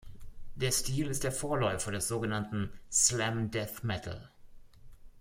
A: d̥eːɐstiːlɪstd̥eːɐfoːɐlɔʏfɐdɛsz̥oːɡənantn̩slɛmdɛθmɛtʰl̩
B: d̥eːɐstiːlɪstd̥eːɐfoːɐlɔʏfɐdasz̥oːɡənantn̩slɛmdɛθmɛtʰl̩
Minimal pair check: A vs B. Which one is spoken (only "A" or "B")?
A